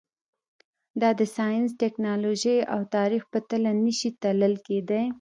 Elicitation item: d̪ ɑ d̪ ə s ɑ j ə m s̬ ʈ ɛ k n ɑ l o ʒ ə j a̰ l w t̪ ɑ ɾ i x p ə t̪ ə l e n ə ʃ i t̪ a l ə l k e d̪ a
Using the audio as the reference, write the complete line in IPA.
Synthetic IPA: d̪ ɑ d̪ ə s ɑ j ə n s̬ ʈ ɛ k n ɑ l o ʒ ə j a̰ w t̪ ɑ ɾ i x p ə t̪ ə l a n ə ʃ i t̪ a l ə l k e d̪ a